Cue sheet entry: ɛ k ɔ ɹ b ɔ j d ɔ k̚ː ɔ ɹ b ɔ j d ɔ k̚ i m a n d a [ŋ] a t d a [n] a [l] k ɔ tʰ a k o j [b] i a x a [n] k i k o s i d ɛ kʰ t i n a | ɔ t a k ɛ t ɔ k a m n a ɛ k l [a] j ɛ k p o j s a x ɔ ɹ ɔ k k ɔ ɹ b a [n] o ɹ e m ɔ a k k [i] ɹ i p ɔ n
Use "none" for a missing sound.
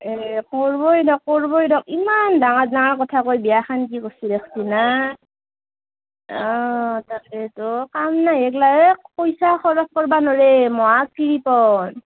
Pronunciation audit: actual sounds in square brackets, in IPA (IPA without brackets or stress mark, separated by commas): ŋ, ŋ, ɹ, b, n, a, n, i